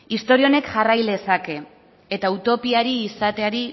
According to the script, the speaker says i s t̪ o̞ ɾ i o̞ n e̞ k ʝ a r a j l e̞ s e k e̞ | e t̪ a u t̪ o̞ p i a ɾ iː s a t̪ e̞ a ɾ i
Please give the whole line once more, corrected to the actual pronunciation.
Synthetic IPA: i s t̪ o̞ ɾ i o̞ n e̞ k ʝ a r a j l e̞ s a k e̞ | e t̪ a u t̪ o̞ p i a ɾ iː s a t̪ e̞ a ɾ i